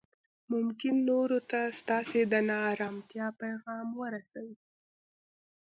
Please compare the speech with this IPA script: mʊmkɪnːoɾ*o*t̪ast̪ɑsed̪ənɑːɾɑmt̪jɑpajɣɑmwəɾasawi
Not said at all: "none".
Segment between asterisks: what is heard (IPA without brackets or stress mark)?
o